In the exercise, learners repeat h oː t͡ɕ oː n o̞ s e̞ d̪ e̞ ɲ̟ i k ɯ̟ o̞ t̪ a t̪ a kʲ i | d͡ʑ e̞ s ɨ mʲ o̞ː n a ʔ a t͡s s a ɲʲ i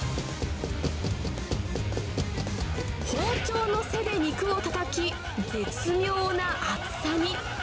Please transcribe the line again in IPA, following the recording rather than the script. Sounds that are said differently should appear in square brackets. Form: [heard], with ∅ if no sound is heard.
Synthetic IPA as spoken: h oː t͡ɕ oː n o̞ s e̞ d̪ e̞ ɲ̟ i k ɯ̟ o̞ t̪ a t̪ a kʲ i | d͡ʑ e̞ [t͡s] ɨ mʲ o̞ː n a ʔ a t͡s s a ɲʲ i